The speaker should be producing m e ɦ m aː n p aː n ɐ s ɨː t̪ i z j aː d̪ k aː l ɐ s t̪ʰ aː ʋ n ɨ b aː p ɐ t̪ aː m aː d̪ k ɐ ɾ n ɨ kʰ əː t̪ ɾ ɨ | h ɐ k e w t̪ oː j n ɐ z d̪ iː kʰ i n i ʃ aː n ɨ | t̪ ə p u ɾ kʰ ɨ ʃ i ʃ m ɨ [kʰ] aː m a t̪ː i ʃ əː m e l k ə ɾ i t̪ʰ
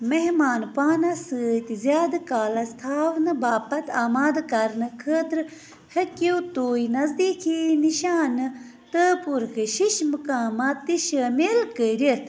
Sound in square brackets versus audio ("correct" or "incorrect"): incorrect